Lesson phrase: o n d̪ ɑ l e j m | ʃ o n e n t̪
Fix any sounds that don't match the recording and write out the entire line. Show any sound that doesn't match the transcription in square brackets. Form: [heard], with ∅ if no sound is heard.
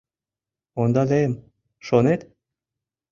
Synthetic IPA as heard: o n d̪ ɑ l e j m | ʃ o n e [∅] t̪